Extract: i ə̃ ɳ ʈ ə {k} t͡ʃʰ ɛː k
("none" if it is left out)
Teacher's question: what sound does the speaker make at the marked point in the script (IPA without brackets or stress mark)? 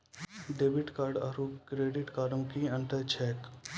none